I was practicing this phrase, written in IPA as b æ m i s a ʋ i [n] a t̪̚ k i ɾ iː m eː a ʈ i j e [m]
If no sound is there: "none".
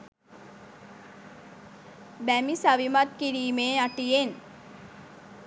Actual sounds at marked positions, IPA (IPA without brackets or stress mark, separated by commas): m, n